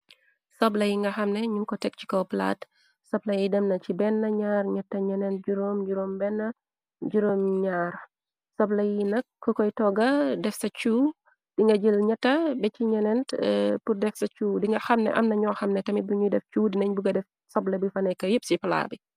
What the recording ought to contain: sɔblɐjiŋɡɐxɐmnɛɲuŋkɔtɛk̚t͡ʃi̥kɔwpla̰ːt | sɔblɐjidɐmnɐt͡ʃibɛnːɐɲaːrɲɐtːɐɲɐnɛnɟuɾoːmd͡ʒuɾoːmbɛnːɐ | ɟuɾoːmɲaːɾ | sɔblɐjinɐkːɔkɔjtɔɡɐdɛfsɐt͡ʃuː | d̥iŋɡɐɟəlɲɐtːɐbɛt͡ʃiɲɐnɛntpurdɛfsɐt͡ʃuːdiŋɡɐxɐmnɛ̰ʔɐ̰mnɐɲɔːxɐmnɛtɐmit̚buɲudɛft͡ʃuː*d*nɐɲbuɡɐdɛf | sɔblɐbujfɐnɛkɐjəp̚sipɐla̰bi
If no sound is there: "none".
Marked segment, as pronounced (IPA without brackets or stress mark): d